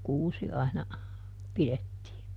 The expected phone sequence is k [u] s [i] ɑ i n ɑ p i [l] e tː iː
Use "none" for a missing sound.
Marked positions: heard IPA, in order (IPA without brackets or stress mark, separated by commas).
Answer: uː, i, l